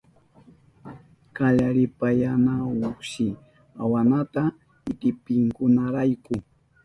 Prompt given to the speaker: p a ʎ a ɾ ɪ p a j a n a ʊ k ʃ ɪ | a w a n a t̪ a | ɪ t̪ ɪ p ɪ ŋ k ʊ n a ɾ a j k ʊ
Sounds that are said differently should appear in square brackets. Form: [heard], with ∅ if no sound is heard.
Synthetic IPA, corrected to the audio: [k] a ʎ a ɾ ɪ p a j a n a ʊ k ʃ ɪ | a w a n a t̪ a | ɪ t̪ ɪ p ɪ ŋ k ʊ n a ɾ a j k ʊ